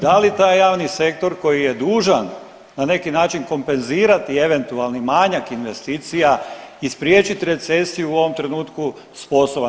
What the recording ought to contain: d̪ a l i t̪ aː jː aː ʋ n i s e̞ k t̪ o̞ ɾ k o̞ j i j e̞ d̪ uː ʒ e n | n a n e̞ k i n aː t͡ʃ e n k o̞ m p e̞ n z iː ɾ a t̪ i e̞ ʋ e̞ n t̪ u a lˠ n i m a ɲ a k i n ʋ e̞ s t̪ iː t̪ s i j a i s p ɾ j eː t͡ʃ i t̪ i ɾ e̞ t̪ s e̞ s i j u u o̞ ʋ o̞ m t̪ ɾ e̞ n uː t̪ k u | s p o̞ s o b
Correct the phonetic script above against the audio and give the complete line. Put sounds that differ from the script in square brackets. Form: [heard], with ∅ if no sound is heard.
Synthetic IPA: d̪ a l i t̪ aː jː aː ʋ n i s e̞ k t̪ o̞ ɾ k o̞ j i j e̞ d̪ uː ʒ [a] n | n a n e̞ k i n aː t͡ʃ [i] n k o̞ m p e̞ n z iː ɾ a t̪ i e̞ ʋ e̞ n t̪ u a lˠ n i m a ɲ a k i n ʋ e̞ s t̪ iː t̪ s i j a i s p ɾ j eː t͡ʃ i t̪ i ɾ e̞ t̪ s e̞ s i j u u o̞ ʋ o̞ m t̪ ɾ e̞ n uː t̪ k u | s p o̞ s o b